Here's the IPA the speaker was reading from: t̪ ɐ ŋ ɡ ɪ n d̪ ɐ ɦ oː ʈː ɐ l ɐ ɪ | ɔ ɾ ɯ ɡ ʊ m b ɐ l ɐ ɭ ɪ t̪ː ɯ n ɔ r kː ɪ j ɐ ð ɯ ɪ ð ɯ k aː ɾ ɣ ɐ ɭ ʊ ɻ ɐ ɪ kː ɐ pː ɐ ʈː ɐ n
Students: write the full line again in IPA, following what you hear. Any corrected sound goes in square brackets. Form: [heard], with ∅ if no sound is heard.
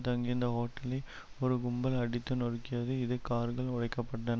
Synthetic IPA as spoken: t̪ ɐ ŋ ɡ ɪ n d̪ ɐ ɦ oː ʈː ɐ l ɐ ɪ | ɔ ɾ ɯ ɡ ʊ m b ɐ l ɐ [ɽ] ɪ t̪ː ɯ n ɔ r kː ɪ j ɐ ð ɯ ɪ ð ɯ k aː ɾ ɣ ɐ ɭ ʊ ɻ ɐ ɪ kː ɐ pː ɐ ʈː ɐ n

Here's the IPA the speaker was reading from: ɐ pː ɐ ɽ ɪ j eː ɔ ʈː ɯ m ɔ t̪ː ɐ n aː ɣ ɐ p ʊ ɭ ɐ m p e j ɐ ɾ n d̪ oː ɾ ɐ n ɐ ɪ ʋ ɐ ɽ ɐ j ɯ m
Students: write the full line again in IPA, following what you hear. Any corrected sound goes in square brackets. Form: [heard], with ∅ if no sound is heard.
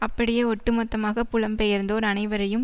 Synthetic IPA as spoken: ɐ pː ɐ ɽ ɪ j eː ɔ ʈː ɯ m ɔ t̪ː ɐ [m] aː ɣ ɐ p ʊ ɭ ɐ m p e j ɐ ɾ n d̪ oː ɾ ɐ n ɐ ɪ ʋ ɐ [ɾ] ɐ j ɯ m

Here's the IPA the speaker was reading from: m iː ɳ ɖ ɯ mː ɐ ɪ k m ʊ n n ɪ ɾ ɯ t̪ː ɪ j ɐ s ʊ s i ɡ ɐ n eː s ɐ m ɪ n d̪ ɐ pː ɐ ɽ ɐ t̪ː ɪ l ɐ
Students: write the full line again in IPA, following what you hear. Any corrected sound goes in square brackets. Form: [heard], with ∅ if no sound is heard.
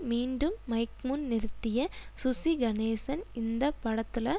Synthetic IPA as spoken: m iː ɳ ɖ ɯ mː ɐ ɪ k m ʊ n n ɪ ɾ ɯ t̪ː ɪ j ɐ s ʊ s i ɡ ɐ n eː s ɐ [n] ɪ n d̪ ɐ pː ɐ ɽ ɐ t̪ː ɪ l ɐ

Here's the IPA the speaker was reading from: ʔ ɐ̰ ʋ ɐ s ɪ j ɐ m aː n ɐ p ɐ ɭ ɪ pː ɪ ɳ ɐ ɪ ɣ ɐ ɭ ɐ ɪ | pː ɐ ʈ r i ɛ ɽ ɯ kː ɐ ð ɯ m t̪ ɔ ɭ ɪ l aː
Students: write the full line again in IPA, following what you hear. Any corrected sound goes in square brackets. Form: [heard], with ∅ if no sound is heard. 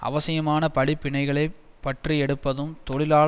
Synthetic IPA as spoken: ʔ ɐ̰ ʋ ɐ s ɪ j ɐ m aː n ɐ p ɐ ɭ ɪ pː ɪ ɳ ɐ ɪ ɣ ɐ ɭ ɐ ɪ | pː ɐ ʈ r i ɛ ɽ ɯ [pː] ɐ ð ɯ m t̪ ɔ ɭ ɪ l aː

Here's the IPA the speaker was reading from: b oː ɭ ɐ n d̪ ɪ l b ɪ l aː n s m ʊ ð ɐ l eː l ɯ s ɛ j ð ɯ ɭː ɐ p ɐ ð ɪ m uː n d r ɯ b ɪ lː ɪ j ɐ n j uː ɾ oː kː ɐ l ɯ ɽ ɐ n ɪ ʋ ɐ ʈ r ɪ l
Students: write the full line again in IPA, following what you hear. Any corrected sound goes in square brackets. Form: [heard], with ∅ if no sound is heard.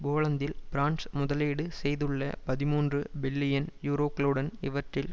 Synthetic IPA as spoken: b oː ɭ ɐ n d̪ ɪ l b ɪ [ɾ] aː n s m ʊ ð ɐ l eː [ɽ] ɯ s ɛ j ð ɯ ɭː ɐ p ɐ ð ɪ m uː n d r ɯ b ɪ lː ɪ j ɐ n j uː ɾ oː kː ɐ l ɯ ɽ ɐ n ɪ ʋ ɐ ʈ r ɪ l

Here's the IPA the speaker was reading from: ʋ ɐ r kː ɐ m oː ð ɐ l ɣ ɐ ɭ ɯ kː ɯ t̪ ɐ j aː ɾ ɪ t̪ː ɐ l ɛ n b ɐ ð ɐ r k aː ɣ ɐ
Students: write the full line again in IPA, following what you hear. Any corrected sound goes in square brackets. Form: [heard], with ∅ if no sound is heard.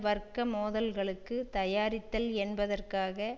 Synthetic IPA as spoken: ʋ ɐ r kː ɐ m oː ð ɐ l ɣ ɐ ɭ ɯ kː ɯ t̪ ɐ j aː ɾ ɪ t̪ː ɐ l ɛ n b ɐ ð ɐ r k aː ɣ ɐ

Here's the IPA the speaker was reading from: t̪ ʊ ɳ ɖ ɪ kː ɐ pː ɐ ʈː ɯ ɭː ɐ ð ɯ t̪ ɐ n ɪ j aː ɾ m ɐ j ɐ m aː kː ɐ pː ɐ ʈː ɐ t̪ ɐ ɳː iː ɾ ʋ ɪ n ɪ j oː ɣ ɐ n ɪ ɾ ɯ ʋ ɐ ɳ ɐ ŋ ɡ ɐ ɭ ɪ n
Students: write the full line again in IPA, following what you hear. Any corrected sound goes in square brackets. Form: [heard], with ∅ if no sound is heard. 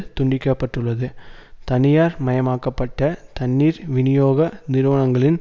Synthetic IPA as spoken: t̪ ʊ ɳ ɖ ɪ kː ɐ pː ɐ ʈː ɯ ɭː ɐ ð ɯ t̪ ɐ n ɪ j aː ɾ m ɐ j ɐ m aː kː ɐ pː ɐ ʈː ɐ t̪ ɐ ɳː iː ɾ ʋ ɪ n ɪ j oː ɣ ɐ n ɪ ɾ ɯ ʋ ɐ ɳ ɐ ŋ ɡ ɐ ɭ ɪ n

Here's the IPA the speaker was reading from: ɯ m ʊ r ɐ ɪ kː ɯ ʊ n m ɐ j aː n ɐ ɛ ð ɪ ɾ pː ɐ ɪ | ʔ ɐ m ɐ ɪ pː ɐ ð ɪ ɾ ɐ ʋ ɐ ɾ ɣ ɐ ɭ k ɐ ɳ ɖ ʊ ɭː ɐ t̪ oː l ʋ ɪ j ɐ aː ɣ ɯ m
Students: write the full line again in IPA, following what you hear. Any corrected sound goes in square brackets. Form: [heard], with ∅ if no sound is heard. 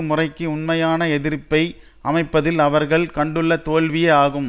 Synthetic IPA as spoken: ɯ m ʊ r ɐ ɪ kː ɯ ʊ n m ɐ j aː n ɐ ɛ ð ɪ ɾ pː ɐ ɪ | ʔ ɐ m ɐ ɪ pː ɐ ð ɪ [l] ɐ ʋ ɐ ɾ ɣ ɐ ɭ k ɐ ɳ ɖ [ɯ] ɭː ɐ t̪ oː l ʋ ɪ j ɐ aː ɣ ɯ m

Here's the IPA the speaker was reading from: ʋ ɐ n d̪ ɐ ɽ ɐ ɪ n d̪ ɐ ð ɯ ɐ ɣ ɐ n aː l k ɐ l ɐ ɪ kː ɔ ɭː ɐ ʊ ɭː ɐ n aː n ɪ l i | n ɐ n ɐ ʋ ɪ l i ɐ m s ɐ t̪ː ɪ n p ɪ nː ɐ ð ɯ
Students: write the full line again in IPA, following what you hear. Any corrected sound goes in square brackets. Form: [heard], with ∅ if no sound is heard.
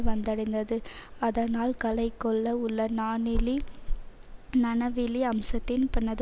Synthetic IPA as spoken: ʋ ɐ n d̪ ɐ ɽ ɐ ɪ n d̪ ɐ ð ɯ ɐ [ð] ɐ n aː l k ɐ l ɐ ɪ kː ɔ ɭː ɐ ʊ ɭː ɐ n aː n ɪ l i | n ɐ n ɐ ʋ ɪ l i ɐ m s ɐ t̪ː ɪ n p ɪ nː ɐ ð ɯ

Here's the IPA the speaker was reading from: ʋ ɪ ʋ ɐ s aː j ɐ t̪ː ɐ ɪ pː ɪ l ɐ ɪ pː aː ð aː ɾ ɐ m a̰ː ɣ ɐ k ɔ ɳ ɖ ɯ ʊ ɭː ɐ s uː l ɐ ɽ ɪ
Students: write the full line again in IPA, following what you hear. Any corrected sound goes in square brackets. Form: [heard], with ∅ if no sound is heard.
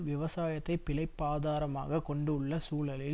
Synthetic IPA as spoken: ʋ ɪ ʋ ɐ s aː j ɐ t̪ː ɐ ɪ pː ɪ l ɐ ɪ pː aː ð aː ɾ ɐ m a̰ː ɣ ɐ k ɔ ɳ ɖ ɯ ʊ ɭː ɐ s uː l ɐ [l] ɪ

